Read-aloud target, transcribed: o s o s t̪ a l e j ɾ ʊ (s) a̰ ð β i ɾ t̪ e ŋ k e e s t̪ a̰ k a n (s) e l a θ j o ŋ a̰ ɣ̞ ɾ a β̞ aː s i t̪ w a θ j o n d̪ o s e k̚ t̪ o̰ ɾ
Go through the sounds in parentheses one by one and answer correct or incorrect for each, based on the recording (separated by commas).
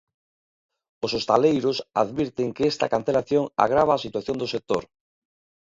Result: correct, incorrect